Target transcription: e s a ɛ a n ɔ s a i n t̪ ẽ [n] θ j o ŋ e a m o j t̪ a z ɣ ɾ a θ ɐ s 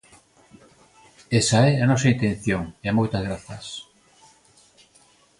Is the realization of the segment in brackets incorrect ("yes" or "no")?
no